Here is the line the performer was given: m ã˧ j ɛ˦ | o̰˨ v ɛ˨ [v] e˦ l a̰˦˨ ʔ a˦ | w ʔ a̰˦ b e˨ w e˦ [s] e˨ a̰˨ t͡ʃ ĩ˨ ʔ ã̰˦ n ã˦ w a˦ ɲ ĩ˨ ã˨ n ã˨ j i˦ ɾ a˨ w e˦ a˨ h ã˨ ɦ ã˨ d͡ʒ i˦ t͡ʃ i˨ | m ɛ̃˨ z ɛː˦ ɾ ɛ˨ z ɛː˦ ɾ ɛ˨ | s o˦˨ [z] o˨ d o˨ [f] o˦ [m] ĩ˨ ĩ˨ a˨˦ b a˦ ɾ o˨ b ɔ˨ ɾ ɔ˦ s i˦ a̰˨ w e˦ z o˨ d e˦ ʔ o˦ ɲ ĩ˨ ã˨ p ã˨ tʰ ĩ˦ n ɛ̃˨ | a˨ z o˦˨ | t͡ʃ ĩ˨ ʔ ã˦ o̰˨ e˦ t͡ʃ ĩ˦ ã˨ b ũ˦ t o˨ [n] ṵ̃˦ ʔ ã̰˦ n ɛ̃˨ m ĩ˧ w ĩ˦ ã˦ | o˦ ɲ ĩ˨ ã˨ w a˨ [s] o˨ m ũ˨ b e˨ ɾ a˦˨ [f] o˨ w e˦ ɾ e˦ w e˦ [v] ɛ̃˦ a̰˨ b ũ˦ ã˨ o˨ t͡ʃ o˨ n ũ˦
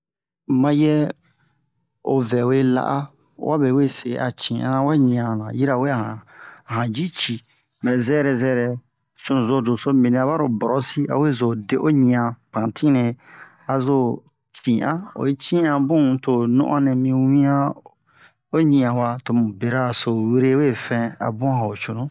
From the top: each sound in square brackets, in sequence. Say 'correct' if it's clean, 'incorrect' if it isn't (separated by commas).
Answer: incorrect, correct, correct, incorrect, correct, correct, incorrect, incorrect, incorrect